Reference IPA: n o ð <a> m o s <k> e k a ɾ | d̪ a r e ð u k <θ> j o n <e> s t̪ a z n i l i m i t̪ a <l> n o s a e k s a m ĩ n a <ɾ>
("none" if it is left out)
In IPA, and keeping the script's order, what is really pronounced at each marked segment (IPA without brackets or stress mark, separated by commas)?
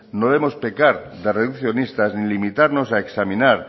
e, p, θ, i, ɾ, ɾ